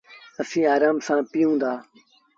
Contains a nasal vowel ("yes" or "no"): yes